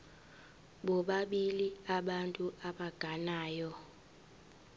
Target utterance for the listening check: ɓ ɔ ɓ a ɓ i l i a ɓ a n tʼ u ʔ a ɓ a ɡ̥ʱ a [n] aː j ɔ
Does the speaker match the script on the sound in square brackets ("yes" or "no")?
yes